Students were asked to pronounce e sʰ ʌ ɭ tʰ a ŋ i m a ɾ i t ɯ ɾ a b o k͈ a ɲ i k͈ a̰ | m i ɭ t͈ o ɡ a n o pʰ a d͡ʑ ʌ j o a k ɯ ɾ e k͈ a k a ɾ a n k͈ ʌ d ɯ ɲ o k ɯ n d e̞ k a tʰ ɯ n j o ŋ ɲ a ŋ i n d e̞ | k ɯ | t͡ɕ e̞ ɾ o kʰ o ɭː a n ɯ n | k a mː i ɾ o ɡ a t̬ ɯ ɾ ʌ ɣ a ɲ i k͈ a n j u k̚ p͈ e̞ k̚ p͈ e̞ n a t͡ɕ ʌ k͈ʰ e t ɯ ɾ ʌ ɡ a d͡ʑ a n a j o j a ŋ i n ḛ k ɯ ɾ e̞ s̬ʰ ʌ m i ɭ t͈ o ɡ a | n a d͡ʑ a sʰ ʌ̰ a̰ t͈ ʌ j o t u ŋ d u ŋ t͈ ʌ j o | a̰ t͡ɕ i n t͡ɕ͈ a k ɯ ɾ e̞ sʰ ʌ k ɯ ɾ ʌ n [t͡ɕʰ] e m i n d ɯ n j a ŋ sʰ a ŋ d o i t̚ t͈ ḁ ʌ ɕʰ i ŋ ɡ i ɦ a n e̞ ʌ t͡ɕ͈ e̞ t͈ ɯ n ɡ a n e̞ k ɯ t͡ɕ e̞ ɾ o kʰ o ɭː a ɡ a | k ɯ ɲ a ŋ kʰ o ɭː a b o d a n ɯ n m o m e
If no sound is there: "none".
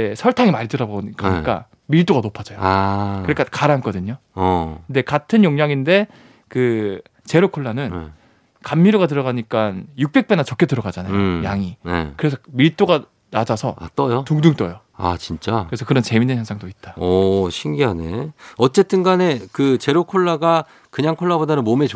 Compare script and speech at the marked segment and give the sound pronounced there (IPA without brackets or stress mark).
t͡ɕ